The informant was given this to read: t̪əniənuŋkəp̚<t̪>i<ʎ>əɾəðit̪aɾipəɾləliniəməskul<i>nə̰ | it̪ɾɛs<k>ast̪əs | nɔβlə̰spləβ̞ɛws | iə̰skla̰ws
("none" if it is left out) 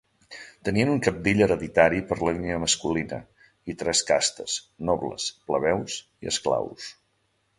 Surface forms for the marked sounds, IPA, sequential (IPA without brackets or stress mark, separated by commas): d̪, ʎ, i, k